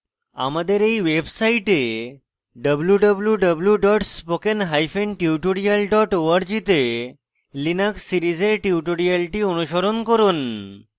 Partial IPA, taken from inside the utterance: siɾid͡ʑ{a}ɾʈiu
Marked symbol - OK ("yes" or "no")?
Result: no